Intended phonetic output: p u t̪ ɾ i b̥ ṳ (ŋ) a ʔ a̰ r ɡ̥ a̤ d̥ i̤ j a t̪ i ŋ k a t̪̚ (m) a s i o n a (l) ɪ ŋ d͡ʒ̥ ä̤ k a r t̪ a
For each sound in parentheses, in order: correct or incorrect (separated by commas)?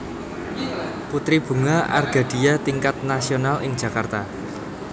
correct, incorrect, correct